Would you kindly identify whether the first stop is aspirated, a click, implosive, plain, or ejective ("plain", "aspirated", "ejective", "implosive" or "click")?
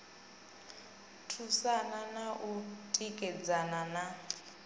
aspirated